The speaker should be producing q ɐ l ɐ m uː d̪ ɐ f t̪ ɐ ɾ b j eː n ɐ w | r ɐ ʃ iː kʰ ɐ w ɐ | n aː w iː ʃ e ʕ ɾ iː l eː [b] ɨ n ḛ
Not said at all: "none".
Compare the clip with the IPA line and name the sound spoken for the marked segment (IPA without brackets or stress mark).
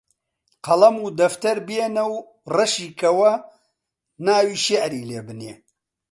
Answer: b